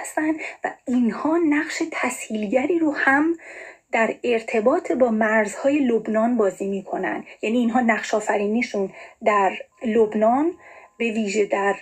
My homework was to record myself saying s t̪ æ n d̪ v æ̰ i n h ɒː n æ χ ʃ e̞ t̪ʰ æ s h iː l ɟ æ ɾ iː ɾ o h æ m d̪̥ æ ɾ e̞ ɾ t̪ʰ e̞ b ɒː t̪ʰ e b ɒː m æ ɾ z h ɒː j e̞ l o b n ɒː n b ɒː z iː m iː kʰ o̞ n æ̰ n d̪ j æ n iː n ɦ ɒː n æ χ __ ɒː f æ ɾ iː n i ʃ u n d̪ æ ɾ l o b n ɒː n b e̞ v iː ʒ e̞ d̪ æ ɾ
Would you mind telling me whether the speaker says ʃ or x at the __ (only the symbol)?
ʃ